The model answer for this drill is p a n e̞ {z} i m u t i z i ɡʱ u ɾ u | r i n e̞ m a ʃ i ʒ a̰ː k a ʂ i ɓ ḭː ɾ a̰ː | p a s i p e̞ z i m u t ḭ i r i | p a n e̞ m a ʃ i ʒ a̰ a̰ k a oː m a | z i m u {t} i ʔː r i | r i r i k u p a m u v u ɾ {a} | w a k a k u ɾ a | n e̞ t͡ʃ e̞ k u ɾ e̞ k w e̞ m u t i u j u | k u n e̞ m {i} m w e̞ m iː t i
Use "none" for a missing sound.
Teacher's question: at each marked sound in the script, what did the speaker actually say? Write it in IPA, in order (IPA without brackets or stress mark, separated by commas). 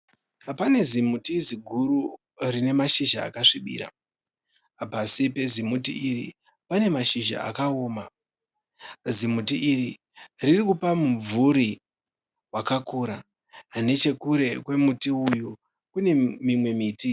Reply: z, t, i, i